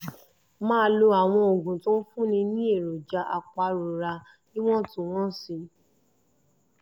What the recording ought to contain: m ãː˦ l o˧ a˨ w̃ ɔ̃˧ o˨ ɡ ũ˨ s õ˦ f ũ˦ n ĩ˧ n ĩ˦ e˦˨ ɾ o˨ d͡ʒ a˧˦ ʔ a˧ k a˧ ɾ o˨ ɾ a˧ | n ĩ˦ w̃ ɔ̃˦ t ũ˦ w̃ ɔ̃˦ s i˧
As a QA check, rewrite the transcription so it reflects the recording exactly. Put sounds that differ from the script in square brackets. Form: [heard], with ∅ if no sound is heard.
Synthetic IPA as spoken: m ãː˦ l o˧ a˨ w̃ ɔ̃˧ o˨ ɡ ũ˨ [t] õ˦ f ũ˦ n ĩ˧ n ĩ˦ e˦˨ ɾ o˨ d͡ʒ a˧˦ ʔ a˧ [k͡p] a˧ ɾ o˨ ɾ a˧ | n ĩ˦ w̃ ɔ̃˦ t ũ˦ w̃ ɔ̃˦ s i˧